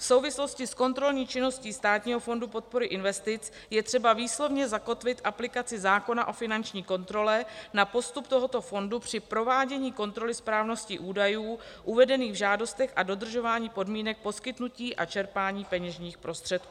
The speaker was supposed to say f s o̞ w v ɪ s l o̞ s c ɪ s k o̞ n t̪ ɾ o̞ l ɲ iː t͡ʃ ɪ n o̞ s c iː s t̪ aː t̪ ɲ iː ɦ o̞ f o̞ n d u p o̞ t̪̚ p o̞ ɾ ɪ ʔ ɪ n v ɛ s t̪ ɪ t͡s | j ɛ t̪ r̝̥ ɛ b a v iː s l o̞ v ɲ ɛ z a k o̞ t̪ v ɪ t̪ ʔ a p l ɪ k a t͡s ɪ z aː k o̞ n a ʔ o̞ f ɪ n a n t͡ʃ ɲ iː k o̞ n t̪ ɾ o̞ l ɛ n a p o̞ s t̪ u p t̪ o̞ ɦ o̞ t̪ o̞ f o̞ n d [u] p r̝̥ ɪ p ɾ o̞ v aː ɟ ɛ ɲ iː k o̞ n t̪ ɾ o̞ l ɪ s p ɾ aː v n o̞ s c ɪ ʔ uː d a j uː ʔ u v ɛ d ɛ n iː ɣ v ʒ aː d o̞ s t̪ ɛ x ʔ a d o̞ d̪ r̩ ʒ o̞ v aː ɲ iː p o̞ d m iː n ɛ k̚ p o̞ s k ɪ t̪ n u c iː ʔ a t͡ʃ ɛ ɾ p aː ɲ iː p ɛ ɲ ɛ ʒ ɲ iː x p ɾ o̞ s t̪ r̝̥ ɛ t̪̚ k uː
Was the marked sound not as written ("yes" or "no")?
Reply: no